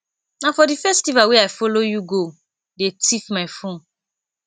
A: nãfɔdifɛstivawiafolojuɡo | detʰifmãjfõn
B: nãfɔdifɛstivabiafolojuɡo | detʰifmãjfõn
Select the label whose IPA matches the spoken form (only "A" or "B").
A